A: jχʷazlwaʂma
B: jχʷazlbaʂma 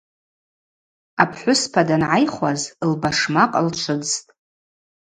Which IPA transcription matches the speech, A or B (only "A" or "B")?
B